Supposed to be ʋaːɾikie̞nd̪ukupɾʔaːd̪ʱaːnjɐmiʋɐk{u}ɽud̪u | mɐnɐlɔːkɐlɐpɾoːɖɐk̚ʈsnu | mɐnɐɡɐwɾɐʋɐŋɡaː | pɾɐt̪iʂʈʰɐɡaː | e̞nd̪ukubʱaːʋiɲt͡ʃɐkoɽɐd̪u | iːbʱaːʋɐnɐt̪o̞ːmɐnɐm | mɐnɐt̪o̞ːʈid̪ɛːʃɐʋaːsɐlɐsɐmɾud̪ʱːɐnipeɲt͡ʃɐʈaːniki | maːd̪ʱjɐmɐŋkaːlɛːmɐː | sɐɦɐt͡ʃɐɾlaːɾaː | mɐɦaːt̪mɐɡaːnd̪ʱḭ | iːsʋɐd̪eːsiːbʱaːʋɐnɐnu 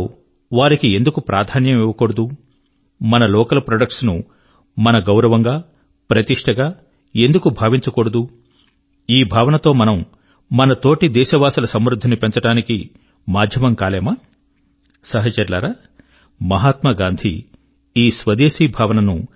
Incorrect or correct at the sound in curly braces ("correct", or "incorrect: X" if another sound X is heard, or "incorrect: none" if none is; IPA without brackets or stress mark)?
incorrect: o